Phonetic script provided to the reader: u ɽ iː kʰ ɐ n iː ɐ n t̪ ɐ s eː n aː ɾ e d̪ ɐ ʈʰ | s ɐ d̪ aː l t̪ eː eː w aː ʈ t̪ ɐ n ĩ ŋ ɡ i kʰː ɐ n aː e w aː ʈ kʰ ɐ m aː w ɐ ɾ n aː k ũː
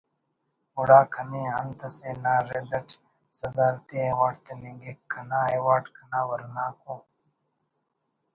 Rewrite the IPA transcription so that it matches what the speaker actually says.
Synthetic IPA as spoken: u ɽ aː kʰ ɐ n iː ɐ n t̪ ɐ s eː n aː ɾ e d̪ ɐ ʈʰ | s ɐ d̪ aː l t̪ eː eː w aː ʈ t̪ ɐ n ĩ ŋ ɡ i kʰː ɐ n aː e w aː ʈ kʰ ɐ n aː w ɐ ɾ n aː k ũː